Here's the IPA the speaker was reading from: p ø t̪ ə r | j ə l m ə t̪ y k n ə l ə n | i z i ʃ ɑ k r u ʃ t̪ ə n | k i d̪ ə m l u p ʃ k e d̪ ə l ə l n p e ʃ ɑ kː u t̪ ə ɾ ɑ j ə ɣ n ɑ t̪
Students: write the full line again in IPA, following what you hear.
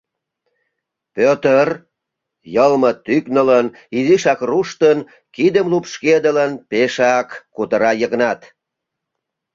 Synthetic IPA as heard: p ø t̪ ə r | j ə l m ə t̪ y k n ə l ə n | i z i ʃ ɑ k r u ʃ t̪ ə n | k i d̪ ə m l u p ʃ k e d̪ ə l ə n p e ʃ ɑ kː u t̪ ə ɾ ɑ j ə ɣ n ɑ t̪